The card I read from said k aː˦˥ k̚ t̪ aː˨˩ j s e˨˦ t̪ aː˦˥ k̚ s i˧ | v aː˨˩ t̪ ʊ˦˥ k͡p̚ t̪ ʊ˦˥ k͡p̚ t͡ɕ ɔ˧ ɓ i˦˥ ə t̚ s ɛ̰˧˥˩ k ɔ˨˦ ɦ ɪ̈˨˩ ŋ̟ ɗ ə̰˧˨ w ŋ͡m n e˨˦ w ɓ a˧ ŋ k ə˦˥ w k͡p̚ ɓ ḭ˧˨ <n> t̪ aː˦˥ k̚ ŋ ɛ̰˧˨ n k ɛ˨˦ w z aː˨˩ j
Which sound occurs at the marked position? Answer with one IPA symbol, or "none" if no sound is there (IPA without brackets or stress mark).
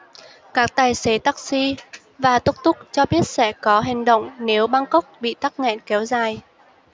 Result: none